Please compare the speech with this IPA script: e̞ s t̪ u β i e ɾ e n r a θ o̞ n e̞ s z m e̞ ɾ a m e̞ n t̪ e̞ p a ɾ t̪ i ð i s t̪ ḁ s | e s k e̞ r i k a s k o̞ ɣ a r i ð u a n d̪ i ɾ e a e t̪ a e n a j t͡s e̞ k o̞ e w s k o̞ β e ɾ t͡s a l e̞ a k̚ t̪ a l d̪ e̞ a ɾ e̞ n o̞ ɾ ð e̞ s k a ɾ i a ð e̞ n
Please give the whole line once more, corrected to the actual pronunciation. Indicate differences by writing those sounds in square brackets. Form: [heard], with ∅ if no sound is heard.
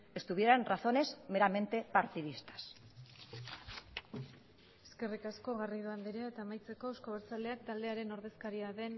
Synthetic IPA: e̞ s t̪ u β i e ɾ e n r a θ o̞ n e̞ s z m e̞ ɾ a m e̞ n t̪ e̞ p a ɾ t̪ i ð i s t̪ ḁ s | e s k e̞ r i k a s k o̞ ɣ a r i ð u a n d̪ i ɾ e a e t̪ a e [m] a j t͡s e̞ k o̞ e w s k o̞ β e ɾ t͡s a l e̞ a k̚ t̪ a l d̪ e̞ a ɾ e̞ n o̞ ɾ ð e̞ s k a ɾ i a ð e̞ n